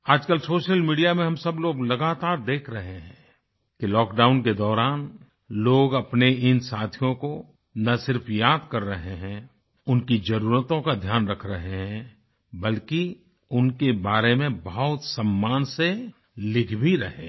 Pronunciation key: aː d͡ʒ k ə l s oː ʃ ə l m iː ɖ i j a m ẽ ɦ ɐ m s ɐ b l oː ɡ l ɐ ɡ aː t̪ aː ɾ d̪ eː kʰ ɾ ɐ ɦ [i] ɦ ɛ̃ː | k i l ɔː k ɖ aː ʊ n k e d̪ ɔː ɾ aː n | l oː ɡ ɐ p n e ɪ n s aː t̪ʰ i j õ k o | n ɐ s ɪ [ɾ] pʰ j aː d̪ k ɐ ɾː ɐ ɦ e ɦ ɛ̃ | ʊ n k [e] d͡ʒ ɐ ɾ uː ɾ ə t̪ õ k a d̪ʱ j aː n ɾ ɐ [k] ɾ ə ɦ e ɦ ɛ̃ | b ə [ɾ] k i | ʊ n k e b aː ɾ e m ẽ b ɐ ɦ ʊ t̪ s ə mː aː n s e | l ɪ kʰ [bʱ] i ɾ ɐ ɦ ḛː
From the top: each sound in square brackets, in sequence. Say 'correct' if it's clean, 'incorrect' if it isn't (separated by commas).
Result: incorrect, correct, incorrect, incorrect, incorrect, correct